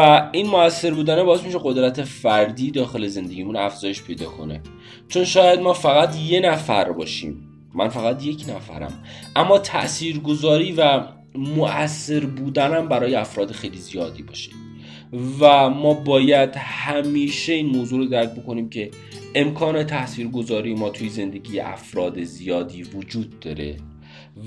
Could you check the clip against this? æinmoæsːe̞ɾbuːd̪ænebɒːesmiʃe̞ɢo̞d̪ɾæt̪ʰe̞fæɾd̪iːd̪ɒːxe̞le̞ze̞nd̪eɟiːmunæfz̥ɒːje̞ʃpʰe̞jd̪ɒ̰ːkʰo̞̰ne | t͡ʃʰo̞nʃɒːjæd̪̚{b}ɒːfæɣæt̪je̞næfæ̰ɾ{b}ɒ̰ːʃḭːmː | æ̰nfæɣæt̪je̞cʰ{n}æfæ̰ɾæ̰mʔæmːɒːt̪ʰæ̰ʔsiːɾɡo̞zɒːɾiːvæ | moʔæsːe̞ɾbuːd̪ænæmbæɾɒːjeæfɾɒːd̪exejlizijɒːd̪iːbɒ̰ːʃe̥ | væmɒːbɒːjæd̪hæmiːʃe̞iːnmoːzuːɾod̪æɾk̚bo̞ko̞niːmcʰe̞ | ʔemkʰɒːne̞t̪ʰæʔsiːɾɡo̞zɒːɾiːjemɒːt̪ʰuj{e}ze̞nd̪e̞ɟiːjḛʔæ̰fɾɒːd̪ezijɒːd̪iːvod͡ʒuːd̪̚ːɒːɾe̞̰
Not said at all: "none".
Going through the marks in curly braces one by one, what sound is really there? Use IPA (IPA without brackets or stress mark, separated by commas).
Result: m, b, n, e